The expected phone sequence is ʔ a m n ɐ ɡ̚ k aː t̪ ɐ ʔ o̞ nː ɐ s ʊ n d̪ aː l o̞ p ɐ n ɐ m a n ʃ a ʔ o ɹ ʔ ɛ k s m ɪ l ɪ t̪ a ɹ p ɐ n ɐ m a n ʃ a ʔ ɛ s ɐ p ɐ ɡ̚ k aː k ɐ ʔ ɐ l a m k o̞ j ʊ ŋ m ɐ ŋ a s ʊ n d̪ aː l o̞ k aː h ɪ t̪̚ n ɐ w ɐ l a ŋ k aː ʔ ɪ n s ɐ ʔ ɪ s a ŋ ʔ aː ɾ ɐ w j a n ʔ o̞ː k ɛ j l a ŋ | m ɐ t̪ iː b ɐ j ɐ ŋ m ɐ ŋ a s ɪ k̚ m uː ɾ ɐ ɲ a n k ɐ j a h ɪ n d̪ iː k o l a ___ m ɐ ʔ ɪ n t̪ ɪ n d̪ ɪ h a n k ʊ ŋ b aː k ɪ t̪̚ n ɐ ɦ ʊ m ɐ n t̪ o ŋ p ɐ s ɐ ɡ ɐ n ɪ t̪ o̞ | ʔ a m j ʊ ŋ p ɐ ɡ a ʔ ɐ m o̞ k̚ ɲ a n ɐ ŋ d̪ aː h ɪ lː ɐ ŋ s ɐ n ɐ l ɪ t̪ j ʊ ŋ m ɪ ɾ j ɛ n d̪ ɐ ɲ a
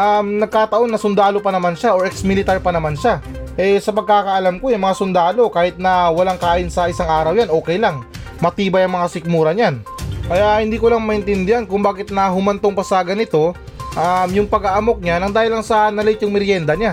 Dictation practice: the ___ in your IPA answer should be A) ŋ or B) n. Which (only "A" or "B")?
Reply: A